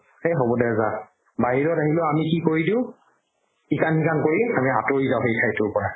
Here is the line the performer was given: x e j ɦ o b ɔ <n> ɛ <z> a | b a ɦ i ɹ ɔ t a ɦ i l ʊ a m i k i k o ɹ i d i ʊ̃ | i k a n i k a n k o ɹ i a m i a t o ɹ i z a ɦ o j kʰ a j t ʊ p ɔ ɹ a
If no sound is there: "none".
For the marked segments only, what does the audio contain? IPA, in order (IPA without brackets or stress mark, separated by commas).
d, z